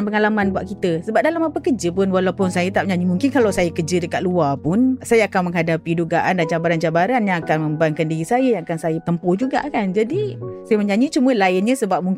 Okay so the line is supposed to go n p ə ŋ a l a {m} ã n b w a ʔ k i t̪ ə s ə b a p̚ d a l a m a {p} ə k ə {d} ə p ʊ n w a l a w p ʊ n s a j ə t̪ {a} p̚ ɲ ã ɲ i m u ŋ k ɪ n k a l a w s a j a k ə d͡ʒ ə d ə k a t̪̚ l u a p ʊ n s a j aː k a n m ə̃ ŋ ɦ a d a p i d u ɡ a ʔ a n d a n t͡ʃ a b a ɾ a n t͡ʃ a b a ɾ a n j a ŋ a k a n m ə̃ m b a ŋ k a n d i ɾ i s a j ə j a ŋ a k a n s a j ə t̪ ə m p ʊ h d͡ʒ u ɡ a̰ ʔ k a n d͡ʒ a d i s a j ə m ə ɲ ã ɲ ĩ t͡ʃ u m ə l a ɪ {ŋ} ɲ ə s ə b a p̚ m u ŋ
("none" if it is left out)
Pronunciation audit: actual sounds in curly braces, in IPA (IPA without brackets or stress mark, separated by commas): m, p, d͡ʒ, a, n